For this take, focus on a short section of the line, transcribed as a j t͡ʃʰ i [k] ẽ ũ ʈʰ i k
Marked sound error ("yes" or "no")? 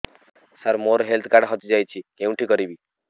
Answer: no